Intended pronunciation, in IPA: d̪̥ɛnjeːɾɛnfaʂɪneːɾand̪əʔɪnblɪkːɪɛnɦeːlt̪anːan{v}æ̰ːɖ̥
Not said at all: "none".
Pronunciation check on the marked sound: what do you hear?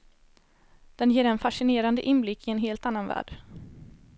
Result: v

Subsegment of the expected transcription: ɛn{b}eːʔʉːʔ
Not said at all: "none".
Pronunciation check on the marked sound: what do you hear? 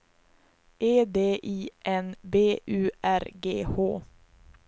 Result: b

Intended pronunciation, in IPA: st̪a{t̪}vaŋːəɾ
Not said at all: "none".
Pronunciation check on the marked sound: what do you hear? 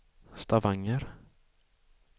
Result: none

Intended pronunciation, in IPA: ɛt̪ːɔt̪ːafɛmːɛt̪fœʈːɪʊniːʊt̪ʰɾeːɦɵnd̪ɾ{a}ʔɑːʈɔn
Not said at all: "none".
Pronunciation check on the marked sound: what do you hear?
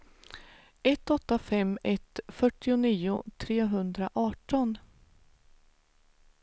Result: a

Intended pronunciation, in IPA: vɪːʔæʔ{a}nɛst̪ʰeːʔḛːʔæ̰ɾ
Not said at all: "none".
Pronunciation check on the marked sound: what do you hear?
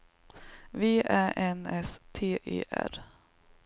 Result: ɛ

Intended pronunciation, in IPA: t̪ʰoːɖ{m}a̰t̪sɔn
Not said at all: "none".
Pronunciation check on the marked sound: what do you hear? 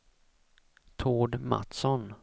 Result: m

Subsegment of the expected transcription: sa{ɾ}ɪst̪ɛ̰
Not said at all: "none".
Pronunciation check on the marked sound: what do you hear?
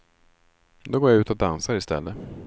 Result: ɾ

